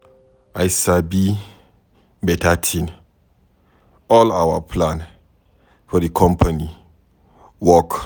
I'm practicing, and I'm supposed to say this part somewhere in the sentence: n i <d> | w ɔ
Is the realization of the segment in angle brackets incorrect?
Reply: yes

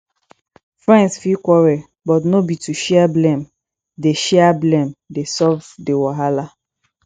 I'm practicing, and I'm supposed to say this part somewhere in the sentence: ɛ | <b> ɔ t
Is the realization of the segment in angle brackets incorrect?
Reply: no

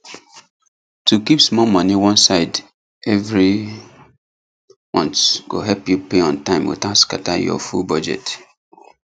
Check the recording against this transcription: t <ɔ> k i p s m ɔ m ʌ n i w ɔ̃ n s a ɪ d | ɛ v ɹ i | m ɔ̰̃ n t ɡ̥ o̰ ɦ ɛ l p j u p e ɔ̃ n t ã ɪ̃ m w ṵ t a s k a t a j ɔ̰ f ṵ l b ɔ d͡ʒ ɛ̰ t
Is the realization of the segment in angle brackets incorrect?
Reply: yes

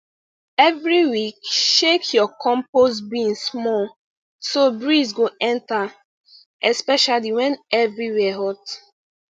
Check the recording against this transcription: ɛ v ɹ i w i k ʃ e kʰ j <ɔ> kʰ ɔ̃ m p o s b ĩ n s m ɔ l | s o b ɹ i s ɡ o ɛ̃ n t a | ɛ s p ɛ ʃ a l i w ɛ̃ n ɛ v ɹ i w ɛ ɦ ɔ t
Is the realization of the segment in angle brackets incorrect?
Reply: no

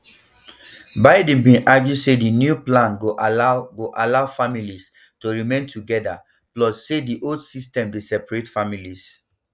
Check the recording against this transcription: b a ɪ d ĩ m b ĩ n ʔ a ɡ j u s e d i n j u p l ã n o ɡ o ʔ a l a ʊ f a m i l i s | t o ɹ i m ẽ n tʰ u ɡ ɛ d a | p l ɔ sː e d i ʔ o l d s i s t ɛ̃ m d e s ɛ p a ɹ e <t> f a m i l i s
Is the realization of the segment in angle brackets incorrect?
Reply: no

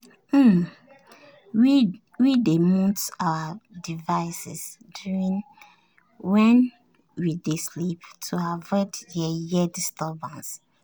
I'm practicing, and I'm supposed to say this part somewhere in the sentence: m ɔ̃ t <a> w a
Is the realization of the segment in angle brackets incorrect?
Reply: no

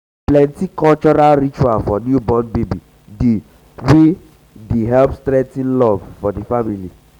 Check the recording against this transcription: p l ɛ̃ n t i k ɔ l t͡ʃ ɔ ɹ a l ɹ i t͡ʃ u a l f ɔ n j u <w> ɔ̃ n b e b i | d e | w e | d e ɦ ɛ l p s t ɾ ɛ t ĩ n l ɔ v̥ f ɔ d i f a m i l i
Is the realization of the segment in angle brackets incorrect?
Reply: yes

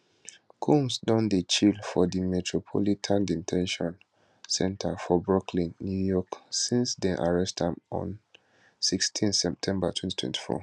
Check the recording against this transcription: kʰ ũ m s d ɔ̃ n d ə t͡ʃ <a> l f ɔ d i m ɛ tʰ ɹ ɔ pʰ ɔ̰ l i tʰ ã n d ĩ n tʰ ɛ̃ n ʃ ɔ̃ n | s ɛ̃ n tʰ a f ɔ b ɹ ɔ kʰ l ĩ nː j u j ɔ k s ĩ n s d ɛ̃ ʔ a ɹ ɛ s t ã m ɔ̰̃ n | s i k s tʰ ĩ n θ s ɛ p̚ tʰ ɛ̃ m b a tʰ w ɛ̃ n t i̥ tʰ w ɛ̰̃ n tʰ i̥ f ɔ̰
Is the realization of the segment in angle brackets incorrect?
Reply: yes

